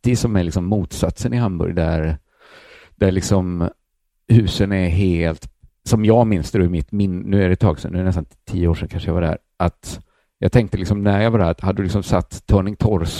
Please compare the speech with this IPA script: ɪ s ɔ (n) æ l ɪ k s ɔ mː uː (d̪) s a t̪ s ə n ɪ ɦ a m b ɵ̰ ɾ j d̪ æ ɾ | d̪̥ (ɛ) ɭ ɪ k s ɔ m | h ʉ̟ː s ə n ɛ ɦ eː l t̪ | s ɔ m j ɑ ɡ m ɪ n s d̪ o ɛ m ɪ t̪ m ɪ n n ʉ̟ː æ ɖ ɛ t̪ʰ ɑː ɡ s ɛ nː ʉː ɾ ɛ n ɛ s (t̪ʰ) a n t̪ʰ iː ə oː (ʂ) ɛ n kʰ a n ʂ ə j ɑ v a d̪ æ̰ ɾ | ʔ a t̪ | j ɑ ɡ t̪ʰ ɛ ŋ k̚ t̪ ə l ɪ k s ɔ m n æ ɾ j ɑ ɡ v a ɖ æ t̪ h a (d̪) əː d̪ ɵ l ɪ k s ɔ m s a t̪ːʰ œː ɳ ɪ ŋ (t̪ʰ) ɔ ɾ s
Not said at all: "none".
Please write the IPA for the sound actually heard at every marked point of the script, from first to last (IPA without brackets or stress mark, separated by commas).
m, t̪, æ, t̪, ʂ, d̪, t̪ʰ